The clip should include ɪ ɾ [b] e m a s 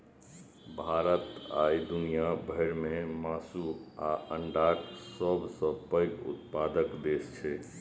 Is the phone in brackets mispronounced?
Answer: yes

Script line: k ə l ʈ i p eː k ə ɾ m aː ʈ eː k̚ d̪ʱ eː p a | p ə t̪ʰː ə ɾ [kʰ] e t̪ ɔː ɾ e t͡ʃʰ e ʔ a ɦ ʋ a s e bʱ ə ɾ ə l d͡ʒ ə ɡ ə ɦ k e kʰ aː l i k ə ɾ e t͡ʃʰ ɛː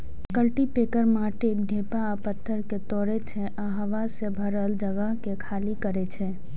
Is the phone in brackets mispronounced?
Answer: yes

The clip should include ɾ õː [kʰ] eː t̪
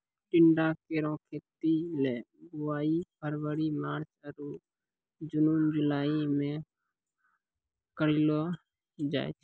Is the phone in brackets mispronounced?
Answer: no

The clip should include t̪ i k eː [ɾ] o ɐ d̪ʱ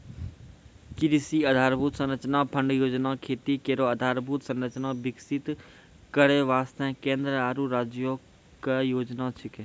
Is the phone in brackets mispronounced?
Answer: no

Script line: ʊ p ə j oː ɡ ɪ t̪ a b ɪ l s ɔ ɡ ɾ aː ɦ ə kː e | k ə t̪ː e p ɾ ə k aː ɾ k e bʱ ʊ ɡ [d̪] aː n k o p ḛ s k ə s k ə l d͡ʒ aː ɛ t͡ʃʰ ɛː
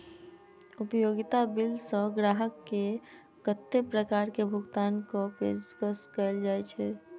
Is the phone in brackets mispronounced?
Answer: yes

